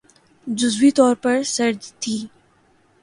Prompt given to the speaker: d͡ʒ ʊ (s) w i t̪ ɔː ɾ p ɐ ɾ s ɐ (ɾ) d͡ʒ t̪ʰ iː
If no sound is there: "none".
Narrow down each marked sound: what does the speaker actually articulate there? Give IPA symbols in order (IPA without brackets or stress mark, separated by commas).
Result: z, ɾ